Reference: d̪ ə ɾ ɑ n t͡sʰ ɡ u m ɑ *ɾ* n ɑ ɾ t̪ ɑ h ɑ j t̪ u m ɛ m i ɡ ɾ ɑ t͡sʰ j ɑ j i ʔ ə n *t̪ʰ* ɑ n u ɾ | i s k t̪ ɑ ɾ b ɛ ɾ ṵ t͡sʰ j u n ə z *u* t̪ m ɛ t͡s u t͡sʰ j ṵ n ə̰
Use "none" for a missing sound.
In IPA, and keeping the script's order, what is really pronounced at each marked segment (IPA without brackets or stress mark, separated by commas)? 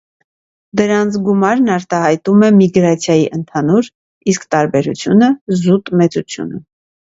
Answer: ɾ, t̪ʰ, u